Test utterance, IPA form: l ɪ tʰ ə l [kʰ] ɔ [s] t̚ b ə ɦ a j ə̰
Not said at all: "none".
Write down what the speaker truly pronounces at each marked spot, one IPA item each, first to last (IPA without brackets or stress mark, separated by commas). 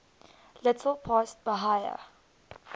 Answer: pʰ, s